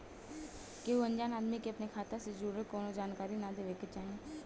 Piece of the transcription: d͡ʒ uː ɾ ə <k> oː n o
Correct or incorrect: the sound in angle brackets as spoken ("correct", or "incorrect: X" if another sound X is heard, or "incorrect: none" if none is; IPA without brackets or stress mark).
correct